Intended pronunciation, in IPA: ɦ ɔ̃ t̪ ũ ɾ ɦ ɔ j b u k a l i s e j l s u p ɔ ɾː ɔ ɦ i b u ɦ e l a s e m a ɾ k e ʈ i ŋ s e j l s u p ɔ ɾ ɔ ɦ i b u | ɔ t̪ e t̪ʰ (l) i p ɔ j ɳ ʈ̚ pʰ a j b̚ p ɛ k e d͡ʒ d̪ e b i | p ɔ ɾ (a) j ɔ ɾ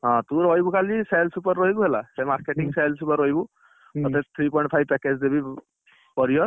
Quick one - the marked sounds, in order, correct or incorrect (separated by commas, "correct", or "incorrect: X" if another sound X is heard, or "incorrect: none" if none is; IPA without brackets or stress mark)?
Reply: incorrect: ɾ, incorrect: i